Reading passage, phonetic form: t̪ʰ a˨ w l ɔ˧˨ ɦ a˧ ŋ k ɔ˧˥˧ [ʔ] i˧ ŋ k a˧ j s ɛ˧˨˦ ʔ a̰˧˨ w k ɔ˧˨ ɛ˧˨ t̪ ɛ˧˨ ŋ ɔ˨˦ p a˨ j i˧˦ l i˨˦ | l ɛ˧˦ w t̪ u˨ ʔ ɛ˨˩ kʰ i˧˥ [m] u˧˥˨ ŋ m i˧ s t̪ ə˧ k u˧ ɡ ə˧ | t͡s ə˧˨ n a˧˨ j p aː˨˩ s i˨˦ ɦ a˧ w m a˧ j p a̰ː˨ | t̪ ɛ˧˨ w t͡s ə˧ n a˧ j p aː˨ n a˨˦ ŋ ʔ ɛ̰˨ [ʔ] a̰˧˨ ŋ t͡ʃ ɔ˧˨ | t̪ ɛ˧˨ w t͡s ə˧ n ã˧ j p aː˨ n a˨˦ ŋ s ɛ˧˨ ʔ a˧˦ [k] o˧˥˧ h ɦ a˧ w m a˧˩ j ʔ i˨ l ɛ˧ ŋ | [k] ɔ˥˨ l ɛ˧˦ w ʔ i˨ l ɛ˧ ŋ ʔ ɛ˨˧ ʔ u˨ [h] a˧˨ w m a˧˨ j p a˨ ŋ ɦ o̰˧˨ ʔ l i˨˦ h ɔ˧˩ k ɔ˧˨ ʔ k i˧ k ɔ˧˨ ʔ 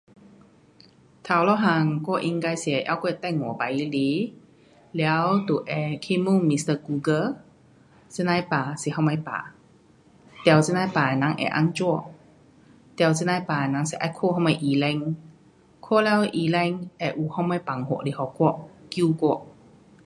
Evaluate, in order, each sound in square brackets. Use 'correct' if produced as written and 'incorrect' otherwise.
correct, correct, correct, incorrect, incorrect, correct

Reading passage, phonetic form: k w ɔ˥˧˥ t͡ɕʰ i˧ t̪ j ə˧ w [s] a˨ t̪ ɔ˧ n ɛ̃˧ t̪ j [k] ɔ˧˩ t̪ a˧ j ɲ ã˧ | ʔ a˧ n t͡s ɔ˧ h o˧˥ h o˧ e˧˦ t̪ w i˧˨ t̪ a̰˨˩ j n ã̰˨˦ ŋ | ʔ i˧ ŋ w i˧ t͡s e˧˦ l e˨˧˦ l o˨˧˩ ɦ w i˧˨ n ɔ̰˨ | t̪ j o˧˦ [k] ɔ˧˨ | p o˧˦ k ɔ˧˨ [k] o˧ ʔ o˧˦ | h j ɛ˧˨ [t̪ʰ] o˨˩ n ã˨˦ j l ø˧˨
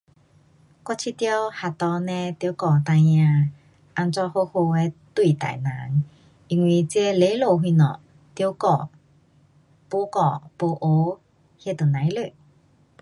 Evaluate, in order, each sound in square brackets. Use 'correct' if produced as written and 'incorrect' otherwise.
incorrect, correct, correct, incorrect, incorrect

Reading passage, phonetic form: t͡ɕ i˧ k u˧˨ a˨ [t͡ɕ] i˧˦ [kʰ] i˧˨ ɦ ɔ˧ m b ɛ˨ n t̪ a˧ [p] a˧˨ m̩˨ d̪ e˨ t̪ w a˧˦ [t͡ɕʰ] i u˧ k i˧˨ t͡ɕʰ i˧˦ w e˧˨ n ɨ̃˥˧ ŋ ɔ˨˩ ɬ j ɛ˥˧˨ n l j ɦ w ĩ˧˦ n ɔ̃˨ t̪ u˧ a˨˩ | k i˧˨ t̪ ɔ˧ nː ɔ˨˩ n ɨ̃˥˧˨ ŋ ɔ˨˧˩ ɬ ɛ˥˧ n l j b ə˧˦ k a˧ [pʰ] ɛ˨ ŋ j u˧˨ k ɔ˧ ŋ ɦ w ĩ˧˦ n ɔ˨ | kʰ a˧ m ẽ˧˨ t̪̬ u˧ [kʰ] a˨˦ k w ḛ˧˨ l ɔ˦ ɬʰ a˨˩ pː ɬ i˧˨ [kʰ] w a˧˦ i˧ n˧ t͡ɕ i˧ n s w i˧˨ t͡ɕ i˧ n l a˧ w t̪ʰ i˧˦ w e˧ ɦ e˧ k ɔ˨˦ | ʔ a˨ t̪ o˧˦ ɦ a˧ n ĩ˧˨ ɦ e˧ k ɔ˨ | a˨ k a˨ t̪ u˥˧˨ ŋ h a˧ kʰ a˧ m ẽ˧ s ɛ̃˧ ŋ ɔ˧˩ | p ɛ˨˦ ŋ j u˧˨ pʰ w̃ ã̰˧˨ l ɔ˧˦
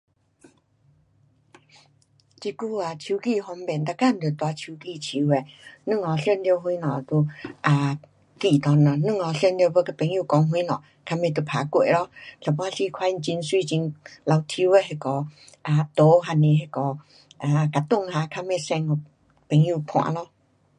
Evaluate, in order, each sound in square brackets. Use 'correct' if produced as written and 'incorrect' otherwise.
incorrect, incorrect, incorrect, correct, incorrect, incorrect, correct

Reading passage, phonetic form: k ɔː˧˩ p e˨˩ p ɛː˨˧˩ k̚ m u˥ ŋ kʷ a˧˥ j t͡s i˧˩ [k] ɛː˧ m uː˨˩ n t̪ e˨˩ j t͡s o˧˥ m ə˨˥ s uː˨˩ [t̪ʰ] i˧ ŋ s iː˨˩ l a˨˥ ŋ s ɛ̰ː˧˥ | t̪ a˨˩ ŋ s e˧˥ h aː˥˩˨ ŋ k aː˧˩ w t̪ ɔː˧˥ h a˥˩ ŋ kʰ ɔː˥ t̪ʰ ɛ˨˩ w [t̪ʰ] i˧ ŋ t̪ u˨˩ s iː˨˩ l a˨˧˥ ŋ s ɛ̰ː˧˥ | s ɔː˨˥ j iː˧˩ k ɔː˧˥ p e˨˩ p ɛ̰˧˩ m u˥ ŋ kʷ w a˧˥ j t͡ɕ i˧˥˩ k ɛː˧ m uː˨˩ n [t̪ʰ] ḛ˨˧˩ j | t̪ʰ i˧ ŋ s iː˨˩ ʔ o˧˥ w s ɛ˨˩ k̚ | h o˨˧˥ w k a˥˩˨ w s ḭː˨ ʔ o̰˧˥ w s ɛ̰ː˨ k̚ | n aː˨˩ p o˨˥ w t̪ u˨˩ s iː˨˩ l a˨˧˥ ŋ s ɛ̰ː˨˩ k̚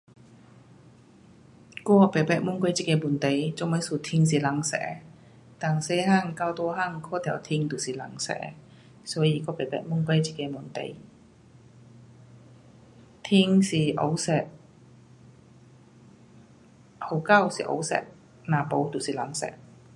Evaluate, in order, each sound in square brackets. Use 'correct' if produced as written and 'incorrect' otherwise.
correct, correct, correct, incorrect

